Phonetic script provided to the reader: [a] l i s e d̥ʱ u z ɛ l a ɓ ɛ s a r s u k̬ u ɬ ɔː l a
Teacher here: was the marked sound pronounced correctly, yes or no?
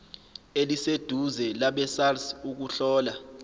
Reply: no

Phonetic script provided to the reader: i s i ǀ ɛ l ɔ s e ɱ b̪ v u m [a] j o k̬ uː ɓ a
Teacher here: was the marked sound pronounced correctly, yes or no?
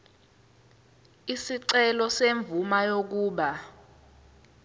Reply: yes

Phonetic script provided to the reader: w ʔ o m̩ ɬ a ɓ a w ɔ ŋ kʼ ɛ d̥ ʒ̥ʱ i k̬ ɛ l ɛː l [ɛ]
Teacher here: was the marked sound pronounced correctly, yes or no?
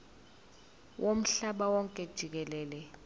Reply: yes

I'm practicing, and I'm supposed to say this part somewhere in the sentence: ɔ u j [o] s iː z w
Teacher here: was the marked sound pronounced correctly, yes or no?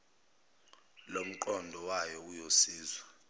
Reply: yes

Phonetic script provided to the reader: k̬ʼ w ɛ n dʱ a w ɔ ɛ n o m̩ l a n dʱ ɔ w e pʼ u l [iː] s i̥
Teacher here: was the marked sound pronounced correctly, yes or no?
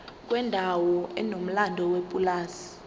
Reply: no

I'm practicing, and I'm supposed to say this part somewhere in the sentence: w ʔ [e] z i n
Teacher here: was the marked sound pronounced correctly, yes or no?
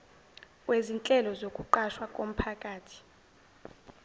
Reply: yes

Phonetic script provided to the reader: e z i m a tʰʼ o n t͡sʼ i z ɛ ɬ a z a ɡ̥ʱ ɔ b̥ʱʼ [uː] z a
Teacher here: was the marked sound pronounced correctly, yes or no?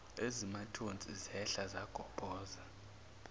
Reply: no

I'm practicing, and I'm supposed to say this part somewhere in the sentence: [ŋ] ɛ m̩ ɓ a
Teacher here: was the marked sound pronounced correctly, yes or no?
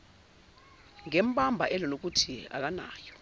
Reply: yes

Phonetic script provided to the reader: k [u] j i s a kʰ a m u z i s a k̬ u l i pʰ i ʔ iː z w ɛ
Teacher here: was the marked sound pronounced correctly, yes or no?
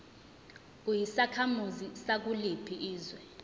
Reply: yes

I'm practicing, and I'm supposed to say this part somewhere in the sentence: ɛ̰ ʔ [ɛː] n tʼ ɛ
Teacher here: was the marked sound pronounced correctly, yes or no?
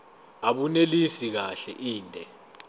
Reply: no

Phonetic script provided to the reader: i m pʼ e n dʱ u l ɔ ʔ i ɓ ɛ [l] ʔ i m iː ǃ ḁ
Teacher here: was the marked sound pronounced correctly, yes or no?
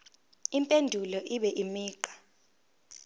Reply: no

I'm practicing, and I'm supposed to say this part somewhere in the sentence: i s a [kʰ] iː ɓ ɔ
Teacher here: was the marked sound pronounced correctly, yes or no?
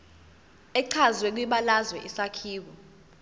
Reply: yes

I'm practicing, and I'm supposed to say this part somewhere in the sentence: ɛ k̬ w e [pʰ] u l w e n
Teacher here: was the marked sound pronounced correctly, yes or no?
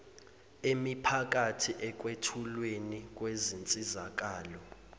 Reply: no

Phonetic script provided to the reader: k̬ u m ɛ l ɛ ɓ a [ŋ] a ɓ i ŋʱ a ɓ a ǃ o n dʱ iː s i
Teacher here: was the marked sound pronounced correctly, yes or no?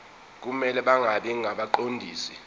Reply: yes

